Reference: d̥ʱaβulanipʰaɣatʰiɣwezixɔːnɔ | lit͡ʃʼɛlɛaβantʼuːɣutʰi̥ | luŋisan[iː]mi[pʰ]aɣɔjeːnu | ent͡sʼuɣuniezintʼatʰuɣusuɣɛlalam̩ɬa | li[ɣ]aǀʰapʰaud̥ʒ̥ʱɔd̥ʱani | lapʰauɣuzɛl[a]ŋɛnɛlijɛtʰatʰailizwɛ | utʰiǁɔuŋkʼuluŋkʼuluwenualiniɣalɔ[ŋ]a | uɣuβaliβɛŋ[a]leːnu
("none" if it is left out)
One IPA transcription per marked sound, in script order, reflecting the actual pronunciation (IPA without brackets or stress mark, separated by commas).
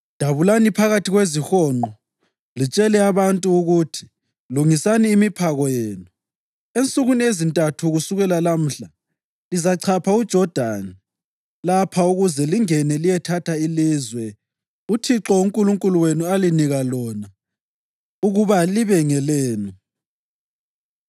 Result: iː, pʰ, z, i, n, ɛ